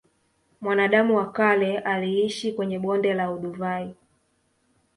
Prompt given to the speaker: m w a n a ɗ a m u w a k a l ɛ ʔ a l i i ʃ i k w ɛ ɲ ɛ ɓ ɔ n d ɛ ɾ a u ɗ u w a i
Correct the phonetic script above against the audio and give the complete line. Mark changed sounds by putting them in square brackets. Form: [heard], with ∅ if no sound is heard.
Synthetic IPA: m w a n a ɗ a m u w a k a l ɛ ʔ a l i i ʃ i k w ɛ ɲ ɛ ɓ ɔ n d ɛ [l] a u ɗ u [v] a i